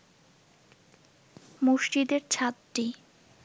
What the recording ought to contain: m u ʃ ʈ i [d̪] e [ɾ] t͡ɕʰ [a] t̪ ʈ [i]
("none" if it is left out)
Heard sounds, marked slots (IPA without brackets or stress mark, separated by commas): d̪, ɾ, a, i